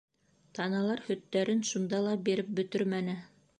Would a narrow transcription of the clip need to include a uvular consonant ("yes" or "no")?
no